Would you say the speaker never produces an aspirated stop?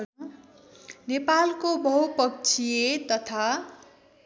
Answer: no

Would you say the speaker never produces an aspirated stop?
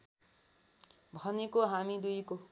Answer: yes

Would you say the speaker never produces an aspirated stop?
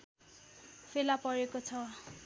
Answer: no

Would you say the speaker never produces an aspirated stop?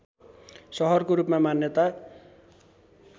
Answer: yes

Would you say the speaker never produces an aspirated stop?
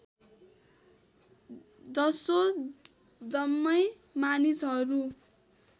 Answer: yes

